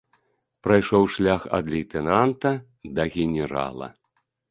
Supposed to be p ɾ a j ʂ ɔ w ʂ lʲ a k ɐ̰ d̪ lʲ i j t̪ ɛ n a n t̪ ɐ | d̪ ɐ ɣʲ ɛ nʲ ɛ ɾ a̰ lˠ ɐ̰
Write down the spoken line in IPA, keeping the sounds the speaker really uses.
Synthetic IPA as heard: p ɾ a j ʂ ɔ w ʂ lʲ a x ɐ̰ d̪ lʲ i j t̪ ɛ n a n t̪ ɐ | d̪ ɐ ɣʲ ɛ nʲ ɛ ɾ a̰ lˠ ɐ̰